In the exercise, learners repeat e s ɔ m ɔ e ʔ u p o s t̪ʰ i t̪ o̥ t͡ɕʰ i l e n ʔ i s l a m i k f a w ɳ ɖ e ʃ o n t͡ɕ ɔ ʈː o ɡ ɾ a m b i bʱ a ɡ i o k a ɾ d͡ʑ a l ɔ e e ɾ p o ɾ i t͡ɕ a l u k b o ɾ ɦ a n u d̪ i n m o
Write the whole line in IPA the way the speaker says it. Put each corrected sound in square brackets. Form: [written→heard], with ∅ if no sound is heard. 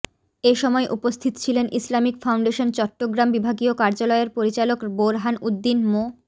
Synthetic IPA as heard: e [s→ʃ] ɔ m ɔ e ʔ u p o s t̪ʰ i t̪ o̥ t͡ɕʰ i l e n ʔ i s l a m i k f a w ɳ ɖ e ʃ o n t͡ɕ ɔ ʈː o ɡ ɾ a m b i bʱ a ɡ i o k a ɾ d͡ʑ a l ɔ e e ɾ p o ɾ i t͡ɕ a l [u→o] k b o ɾ ɦ a n u [d̪→d̪ː] i n m o